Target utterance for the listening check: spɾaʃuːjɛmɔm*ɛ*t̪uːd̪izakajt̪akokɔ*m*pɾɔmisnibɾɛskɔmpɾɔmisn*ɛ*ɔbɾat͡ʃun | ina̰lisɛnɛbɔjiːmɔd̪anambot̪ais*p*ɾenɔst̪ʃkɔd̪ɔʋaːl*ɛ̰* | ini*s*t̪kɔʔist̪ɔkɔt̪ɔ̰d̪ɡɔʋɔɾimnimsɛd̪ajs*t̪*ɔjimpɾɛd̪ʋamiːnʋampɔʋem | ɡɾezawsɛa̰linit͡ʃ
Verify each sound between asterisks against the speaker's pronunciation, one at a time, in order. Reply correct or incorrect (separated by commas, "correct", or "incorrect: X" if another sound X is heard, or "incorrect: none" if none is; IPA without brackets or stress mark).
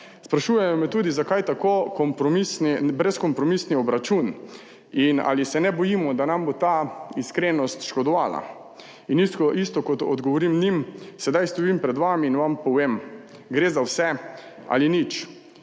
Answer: correct, correct, incorrect: i, incorrect: k, incorrect: a̰, correct, correct